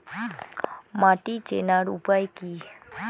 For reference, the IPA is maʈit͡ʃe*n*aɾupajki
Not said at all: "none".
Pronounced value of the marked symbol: n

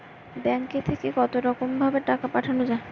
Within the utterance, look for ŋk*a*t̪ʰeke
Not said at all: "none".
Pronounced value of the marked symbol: e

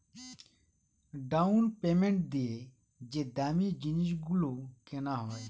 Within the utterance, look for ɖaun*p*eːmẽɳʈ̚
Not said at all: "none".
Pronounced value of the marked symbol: p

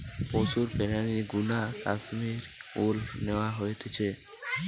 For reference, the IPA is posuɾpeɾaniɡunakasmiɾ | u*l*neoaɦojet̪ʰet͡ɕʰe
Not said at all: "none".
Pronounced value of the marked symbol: l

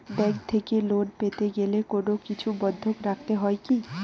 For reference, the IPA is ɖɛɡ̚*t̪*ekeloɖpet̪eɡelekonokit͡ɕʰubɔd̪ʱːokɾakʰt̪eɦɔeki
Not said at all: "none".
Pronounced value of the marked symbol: t̪ʰ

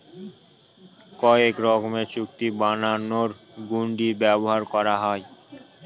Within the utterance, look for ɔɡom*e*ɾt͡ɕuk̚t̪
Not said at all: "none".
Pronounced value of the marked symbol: e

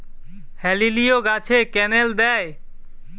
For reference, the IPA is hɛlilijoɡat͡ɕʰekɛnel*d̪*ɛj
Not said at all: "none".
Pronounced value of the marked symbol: d̪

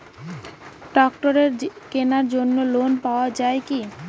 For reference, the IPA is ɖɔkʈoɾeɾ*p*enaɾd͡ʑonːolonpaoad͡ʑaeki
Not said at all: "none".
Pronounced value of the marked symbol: k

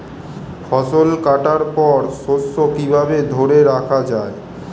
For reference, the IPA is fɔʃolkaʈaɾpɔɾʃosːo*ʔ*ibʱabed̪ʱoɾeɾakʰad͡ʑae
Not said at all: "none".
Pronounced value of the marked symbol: k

